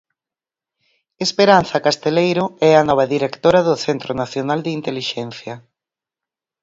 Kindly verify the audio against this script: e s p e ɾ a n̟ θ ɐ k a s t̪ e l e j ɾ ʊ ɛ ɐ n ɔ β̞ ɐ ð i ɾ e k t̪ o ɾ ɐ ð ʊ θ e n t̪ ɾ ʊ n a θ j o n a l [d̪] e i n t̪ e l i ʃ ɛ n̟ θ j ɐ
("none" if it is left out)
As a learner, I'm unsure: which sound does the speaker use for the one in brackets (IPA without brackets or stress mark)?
d̪